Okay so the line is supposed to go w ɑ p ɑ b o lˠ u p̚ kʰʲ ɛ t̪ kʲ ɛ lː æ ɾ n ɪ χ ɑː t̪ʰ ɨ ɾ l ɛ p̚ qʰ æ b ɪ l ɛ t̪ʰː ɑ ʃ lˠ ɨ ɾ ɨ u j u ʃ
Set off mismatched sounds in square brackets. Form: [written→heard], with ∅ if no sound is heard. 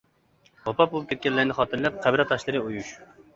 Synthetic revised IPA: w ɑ p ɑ b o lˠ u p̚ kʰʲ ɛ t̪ kʲ ɛ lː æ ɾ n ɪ χ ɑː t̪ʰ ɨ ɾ l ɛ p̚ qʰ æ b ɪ [l→ɾ] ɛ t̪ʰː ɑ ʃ lˠ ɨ ɾ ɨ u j u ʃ